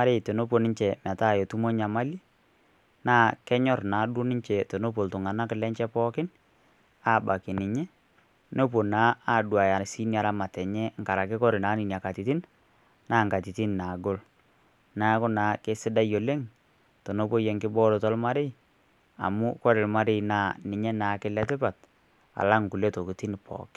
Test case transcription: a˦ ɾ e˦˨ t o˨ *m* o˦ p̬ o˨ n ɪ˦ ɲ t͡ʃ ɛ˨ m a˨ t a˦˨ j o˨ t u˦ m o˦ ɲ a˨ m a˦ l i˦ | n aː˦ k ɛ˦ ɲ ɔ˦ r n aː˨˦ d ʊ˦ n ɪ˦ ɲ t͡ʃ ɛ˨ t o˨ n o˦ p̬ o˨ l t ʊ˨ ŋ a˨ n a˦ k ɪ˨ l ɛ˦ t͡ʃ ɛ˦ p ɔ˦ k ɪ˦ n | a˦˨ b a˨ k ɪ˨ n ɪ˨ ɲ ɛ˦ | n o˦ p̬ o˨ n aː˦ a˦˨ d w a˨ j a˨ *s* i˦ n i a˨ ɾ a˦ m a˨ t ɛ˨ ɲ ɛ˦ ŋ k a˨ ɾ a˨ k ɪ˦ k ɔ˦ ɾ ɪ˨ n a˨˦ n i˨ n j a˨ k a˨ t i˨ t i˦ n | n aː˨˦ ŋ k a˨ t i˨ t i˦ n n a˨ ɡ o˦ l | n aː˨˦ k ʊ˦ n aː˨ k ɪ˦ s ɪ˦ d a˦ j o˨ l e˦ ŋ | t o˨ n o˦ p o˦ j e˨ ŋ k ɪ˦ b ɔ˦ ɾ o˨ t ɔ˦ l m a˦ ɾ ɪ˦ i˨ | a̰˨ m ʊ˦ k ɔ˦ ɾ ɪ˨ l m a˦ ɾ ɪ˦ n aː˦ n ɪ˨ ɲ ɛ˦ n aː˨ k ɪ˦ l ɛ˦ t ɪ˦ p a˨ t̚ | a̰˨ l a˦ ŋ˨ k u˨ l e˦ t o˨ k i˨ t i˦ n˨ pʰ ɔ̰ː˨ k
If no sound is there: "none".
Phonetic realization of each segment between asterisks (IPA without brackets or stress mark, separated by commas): n, s